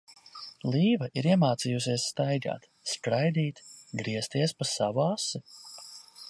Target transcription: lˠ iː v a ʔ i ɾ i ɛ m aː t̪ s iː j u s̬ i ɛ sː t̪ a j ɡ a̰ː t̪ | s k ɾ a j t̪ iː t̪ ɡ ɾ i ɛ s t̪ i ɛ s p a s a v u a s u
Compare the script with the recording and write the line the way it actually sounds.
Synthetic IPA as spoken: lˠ iː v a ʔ i ɾ i ɛ m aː t̪ s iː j u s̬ i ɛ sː t̪ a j ɡ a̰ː t̪ | s k ɾ a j d̪ iː t̪ ɡ ɾ i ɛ s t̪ i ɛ s p a s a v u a s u